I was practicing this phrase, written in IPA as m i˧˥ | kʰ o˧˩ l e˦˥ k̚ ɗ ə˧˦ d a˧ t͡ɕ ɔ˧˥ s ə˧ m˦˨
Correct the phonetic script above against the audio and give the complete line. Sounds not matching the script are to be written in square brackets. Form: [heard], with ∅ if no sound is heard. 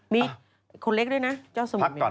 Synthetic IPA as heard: m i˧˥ | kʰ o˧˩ l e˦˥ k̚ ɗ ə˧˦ [n] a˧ t͡ɕ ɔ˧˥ s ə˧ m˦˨